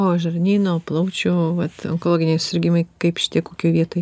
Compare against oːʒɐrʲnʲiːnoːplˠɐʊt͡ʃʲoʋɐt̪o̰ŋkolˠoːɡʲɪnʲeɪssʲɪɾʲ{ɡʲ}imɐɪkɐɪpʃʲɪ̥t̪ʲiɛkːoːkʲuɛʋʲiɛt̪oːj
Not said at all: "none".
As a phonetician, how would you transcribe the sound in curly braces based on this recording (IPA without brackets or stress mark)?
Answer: ɡʲ